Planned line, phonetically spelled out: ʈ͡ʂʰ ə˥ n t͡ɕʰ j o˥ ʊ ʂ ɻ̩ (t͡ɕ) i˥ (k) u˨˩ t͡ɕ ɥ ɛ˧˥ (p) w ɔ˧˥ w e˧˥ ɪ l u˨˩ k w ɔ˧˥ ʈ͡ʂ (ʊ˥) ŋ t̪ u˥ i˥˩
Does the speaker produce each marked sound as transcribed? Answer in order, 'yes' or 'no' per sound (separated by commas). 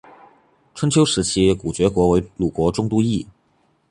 no, yes, no, yes